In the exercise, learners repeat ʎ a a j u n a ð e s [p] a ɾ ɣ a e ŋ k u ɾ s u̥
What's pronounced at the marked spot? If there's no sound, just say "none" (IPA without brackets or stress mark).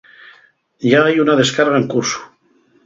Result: k